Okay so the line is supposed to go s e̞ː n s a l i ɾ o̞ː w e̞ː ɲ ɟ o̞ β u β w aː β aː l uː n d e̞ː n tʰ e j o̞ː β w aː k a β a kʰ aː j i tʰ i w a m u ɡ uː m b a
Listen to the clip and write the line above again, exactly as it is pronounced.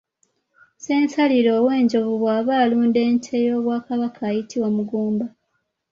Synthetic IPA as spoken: s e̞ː n s a l i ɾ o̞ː w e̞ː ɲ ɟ o̞ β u β w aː β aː l uː n d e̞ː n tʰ e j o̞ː β w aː k a β a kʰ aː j i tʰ i w a m u ɡ uː m b a